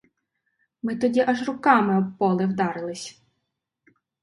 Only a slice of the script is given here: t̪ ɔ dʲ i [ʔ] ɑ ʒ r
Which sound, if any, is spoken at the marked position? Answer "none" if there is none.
ʔ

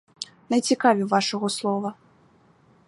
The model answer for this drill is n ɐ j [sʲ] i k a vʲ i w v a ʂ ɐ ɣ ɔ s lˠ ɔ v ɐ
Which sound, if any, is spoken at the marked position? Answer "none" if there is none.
t͡sʲ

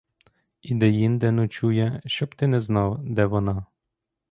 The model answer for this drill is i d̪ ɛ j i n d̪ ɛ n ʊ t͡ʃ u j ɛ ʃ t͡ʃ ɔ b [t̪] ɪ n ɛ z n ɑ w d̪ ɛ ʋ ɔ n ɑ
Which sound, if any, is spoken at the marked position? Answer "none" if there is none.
t̪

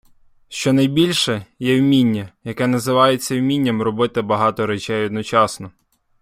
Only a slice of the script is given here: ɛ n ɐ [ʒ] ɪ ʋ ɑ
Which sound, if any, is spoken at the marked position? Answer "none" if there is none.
z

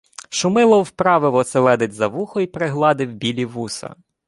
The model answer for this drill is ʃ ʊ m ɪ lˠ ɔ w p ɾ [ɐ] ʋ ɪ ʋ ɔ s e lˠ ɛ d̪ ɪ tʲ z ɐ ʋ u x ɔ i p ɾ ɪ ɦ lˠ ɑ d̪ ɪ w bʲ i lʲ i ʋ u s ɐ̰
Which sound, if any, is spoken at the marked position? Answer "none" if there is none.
ɑ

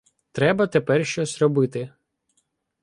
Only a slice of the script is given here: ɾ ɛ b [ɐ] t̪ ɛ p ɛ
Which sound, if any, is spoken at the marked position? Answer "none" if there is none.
ɐ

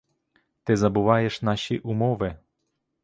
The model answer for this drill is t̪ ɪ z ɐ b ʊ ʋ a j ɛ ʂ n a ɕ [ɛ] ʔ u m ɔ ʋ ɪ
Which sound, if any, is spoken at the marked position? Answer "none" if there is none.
i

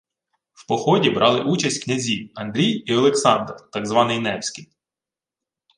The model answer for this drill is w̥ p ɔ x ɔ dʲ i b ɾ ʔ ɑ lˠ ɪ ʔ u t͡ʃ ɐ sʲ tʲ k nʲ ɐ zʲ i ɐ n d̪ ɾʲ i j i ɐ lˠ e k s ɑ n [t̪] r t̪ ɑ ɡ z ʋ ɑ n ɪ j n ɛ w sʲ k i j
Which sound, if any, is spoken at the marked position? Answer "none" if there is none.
d̪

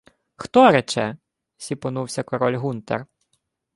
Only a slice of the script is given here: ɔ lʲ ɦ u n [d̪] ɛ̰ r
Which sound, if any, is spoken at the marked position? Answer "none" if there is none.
t̪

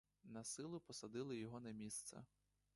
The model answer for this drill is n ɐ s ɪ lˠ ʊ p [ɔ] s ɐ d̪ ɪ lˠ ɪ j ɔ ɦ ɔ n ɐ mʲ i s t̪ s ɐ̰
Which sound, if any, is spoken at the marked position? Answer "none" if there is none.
ɔ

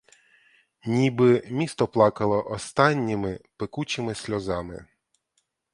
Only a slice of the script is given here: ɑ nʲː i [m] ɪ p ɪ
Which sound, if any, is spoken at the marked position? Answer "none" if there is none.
m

